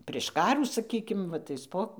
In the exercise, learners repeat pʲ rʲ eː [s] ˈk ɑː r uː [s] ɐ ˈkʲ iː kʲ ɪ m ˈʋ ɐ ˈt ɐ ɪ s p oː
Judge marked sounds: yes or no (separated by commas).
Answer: no, yes